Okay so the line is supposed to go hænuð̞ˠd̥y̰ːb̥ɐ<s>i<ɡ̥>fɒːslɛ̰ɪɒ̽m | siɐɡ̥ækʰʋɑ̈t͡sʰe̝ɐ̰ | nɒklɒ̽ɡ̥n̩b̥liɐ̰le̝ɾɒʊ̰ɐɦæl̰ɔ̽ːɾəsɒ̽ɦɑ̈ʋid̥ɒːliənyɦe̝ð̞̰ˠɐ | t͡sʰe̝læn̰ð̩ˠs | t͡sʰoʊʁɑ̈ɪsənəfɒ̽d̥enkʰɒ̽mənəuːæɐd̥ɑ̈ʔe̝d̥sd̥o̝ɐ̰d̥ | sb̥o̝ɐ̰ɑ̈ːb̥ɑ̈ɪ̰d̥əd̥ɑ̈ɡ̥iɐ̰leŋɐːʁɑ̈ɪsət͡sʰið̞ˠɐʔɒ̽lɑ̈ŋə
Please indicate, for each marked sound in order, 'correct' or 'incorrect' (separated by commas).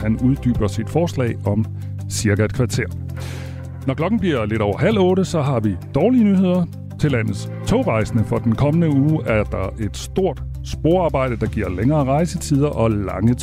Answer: correct, incorrect